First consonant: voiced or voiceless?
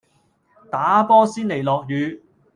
voiceless